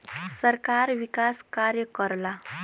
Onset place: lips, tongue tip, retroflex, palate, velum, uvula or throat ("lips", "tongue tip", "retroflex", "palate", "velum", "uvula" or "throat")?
tongue tip